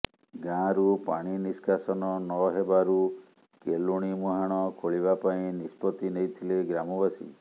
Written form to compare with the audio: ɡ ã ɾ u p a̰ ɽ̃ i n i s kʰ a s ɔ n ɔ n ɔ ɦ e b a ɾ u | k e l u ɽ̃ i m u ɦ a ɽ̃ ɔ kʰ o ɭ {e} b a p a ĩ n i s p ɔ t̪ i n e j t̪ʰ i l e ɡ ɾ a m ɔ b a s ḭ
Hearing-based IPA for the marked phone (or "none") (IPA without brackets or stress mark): i